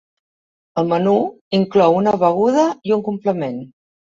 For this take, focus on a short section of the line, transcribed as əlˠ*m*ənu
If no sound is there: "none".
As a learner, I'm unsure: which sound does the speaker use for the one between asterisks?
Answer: m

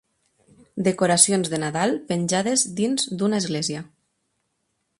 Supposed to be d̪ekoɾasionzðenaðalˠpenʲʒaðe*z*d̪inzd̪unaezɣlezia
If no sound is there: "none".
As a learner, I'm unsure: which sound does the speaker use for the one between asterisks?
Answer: z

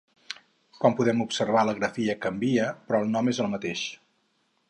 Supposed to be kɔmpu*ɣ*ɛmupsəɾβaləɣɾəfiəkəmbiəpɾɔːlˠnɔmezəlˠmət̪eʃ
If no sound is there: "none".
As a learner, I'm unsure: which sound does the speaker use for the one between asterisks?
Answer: ð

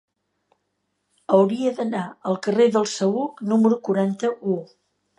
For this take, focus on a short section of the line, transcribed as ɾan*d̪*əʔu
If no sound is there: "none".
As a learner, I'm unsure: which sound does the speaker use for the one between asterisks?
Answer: t̪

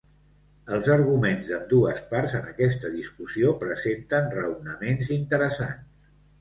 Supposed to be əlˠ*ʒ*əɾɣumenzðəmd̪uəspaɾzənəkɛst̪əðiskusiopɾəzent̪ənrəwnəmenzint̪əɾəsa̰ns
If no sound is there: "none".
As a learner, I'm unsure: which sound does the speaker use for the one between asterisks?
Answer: z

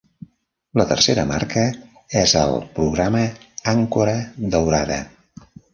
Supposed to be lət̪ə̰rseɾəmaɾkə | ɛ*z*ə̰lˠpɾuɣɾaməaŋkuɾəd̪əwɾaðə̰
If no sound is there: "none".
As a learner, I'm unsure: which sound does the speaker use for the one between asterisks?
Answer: z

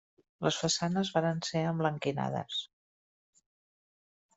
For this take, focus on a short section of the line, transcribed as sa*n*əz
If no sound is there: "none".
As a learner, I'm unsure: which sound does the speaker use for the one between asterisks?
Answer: n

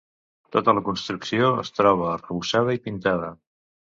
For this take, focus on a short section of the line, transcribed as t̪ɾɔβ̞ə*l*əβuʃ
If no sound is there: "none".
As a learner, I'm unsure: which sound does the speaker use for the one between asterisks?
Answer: r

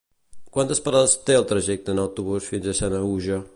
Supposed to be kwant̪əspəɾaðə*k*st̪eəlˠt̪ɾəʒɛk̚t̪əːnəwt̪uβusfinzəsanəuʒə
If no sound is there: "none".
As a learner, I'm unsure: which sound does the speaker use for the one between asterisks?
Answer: none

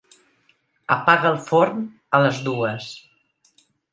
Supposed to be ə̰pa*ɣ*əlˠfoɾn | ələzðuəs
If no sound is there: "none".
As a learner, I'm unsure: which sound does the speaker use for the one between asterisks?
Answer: ɣ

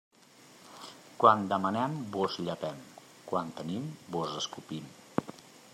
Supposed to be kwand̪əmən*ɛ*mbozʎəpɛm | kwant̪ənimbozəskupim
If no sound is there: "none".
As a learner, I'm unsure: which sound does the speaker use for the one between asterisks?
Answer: ɛ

